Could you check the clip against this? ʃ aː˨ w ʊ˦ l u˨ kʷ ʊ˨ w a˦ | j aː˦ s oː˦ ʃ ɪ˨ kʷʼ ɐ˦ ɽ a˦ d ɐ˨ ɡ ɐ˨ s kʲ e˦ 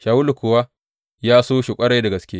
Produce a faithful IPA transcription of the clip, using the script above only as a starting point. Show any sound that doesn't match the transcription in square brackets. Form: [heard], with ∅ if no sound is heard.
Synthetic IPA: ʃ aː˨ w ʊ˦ l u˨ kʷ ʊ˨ w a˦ | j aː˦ s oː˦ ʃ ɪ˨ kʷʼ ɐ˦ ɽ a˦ d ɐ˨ ɡ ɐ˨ s kʲ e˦